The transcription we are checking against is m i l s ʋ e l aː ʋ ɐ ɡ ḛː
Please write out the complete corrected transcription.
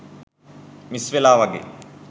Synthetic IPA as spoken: m i s ʋ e l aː ʋ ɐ ɡ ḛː

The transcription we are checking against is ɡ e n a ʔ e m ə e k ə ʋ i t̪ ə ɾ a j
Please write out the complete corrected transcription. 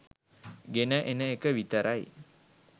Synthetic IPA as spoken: ɡ e n ə ʔ e n ə e k ə ʋ i t̪ ə ɾ a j

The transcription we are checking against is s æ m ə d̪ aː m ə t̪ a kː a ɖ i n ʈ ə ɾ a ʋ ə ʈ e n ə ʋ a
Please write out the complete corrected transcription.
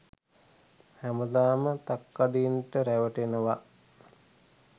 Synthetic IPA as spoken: h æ m ə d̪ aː m ə t̪ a kː a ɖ i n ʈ ə ɾ æ ʋ ə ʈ e n ə ʋ a

